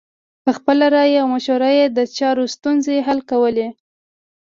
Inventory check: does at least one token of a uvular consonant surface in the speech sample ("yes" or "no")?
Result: no